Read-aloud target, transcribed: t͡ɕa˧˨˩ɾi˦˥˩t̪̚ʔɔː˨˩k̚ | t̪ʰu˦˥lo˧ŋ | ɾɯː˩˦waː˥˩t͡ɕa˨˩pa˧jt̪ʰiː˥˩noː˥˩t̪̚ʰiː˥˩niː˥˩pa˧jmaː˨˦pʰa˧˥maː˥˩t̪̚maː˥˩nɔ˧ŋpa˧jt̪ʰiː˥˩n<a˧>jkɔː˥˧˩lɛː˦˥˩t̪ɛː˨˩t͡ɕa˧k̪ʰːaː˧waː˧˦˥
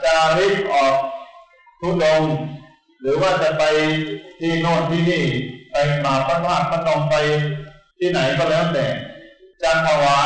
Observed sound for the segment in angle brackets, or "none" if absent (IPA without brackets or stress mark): a˩˦